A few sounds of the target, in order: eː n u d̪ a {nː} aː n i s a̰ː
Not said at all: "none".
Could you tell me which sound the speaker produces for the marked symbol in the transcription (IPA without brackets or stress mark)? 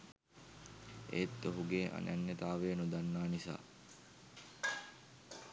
nː